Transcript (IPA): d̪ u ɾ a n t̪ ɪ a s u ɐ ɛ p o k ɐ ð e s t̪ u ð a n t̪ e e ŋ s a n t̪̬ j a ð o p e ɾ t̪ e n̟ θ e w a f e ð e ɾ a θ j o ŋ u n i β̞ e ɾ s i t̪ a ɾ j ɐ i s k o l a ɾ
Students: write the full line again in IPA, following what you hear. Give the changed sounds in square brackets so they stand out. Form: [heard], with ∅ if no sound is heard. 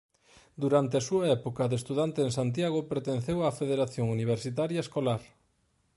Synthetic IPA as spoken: d̪ u ɾ a n t̪ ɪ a s u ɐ ɛ p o k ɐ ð e s t̪ u ð a n t̪ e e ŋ s a n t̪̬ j a [ɣ] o p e ɾ t̪ e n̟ θ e w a f e ð e ɾ a θ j o ŋ u n i β̞ e ɾ s i t̪ a ɾ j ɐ [e] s k o l a ɾ